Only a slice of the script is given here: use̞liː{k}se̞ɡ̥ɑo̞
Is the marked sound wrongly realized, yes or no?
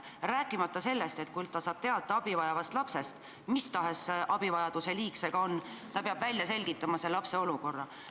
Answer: no